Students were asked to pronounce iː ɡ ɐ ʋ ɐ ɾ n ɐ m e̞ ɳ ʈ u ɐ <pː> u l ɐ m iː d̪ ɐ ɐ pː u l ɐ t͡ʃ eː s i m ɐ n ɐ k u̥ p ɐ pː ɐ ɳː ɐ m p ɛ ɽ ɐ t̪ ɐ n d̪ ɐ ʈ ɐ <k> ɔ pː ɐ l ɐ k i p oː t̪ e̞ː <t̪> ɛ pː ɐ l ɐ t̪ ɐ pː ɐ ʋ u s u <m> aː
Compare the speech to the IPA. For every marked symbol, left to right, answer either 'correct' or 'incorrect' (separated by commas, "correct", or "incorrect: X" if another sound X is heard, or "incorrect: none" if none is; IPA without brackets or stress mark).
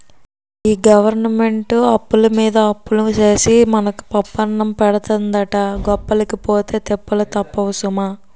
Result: correct, incorrect: ɡ, correct, correct